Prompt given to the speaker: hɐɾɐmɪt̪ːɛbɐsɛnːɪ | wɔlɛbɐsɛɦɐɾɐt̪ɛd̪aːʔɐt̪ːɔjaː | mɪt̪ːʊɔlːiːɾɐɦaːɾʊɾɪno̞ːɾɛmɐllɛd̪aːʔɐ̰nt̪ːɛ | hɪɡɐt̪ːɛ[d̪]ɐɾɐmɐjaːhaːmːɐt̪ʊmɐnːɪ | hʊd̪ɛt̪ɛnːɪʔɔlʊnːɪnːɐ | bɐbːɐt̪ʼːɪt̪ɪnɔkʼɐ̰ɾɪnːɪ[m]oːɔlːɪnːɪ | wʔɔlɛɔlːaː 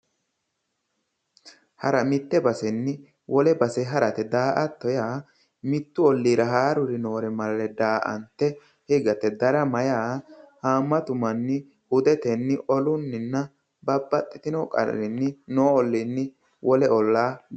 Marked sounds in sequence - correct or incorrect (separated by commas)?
correct, incorrect